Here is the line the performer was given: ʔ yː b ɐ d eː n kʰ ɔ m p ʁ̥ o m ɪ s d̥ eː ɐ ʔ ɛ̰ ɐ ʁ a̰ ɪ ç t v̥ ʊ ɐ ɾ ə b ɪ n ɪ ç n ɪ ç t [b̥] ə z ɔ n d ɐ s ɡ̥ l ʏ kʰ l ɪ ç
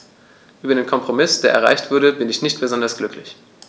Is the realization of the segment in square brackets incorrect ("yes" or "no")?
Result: no